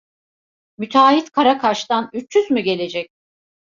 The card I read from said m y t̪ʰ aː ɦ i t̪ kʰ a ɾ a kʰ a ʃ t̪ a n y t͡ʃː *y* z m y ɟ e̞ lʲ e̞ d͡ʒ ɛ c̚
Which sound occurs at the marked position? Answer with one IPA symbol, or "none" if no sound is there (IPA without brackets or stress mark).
y